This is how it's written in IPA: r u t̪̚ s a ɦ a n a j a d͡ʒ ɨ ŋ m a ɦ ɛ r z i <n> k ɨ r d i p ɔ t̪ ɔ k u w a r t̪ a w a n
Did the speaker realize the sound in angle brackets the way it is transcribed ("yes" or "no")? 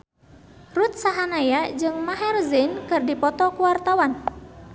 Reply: yes